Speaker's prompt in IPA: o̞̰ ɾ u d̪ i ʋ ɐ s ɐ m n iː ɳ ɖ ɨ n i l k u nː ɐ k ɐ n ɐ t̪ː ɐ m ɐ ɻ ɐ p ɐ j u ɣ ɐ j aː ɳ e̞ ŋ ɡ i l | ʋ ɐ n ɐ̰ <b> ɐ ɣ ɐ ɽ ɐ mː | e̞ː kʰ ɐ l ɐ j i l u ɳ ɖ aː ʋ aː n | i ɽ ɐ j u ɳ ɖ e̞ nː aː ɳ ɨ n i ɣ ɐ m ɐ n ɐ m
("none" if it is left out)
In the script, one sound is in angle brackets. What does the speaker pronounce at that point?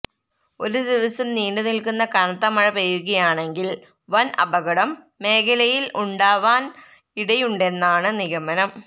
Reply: b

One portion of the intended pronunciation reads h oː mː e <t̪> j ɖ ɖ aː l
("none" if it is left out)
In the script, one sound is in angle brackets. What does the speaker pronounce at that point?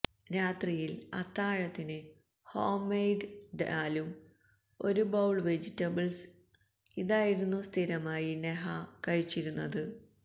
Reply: none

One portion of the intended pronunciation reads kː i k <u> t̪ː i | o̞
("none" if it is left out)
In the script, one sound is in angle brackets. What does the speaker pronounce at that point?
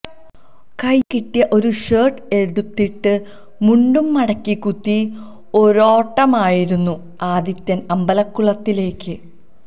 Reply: u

